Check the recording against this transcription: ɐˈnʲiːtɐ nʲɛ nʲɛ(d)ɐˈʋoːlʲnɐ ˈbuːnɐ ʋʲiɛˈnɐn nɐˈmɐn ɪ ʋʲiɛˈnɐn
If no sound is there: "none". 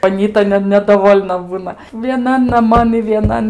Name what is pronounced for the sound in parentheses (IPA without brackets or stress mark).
d